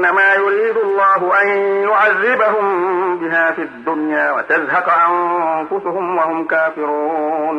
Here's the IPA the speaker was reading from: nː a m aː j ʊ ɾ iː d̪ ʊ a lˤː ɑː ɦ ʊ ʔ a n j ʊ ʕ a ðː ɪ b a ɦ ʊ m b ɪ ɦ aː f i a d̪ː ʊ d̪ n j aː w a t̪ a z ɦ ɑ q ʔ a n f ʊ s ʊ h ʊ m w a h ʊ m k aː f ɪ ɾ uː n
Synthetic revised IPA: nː a m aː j ʊ ɾ iː d̪ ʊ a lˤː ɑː ɦ ʊ ʔ a n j ʊ ʕ a ðː ɪ b a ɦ ʊ m b ɪ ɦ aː f i a d̪ː ʊ n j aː w a t̪ a z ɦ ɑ q ʔ a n f ʊ s ʊ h ʊ m w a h ʊ m k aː f ɪ ɾ uː n